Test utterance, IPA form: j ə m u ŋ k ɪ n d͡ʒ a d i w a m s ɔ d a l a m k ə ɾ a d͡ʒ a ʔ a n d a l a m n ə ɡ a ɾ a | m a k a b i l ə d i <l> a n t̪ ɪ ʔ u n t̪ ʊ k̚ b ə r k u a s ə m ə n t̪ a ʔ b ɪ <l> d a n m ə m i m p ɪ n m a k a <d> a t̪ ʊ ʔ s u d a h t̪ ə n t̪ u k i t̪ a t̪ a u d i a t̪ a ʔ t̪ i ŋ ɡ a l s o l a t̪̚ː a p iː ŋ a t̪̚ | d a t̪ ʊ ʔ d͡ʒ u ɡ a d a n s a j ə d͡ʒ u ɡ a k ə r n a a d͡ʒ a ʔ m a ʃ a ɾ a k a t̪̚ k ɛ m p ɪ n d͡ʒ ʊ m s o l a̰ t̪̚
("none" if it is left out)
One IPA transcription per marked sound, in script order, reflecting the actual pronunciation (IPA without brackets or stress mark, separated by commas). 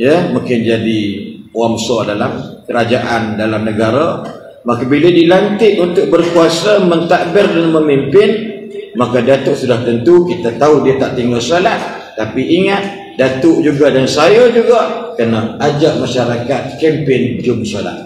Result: l, r, d